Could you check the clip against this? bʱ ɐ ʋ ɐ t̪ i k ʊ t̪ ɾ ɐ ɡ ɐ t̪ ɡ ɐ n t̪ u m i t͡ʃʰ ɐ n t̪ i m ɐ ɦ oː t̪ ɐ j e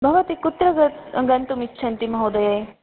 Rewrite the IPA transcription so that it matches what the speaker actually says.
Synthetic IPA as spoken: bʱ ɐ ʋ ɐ t̪ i k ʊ t̪ ɾ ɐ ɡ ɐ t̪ ɡ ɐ n t̪ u m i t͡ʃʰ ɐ n t̪ i m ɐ ɦ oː d̪ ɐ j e